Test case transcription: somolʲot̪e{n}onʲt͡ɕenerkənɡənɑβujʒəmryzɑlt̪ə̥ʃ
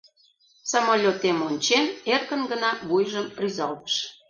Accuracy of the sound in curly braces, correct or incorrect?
incorrect: m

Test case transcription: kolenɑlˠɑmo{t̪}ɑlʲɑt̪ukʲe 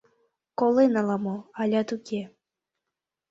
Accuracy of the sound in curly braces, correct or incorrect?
incorrect: none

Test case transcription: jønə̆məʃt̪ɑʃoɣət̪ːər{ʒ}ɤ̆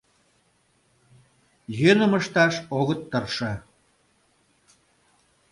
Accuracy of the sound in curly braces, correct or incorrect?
incorrect: ʃ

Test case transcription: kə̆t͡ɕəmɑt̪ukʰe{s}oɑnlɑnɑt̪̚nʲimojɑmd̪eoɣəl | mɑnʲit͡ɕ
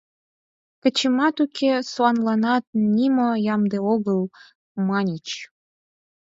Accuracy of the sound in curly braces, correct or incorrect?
correct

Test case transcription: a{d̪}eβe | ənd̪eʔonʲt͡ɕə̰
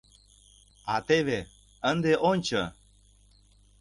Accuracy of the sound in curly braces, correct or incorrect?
incorrect: t̪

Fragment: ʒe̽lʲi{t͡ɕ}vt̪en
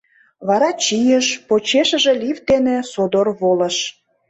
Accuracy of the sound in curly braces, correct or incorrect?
incorrect: none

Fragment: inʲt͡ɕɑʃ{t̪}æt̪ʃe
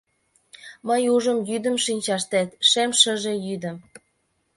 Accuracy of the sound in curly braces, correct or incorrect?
correct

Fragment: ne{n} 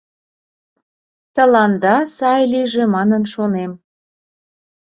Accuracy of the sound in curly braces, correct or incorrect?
incorrect: m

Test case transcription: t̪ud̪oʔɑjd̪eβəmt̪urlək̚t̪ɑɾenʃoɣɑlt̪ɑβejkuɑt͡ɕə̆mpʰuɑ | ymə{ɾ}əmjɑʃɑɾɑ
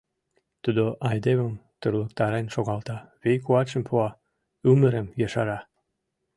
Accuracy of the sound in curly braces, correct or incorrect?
correct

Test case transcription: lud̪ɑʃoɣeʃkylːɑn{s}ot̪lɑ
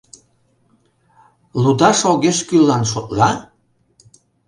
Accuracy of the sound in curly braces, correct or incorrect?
incorrect: ʃ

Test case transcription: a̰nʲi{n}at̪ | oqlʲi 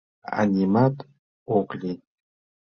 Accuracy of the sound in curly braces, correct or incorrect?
incorrect: m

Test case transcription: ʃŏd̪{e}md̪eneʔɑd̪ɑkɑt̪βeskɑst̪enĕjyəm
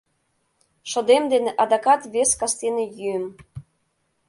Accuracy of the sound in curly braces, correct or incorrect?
correct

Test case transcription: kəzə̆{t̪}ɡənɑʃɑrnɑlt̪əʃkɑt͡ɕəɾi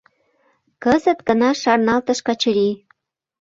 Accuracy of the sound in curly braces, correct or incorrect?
correct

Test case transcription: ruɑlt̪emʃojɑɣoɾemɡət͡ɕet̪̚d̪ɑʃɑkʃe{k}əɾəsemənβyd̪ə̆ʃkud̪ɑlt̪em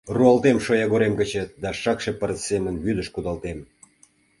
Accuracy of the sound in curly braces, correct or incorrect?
incorrect: p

